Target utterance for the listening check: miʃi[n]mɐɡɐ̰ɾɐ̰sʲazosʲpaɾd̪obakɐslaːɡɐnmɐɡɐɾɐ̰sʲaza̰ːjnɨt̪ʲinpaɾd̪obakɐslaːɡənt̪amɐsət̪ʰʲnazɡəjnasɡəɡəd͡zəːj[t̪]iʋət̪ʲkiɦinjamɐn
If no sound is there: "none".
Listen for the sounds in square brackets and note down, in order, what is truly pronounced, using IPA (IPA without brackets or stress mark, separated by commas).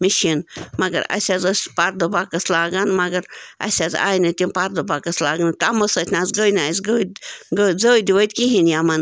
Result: n, d̪